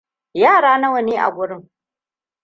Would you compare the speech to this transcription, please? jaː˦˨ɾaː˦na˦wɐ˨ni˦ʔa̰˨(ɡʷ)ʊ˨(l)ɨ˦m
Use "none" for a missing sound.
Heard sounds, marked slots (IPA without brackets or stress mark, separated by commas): ɡʷ, ɾ